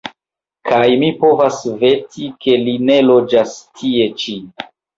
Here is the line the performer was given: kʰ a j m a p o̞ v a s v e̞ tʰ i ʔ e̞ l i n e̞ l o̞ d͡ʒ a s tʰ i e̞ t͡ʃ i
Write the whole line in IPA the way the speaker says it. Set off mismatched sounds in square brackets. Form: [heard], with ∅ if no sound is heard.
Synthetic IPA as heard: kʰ a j m [i] p o̞ v a s v e̞ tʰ i [k] e̞ l i n e̞ l o̞ d͡ʒ a s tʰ i e̞ t͡ʃ i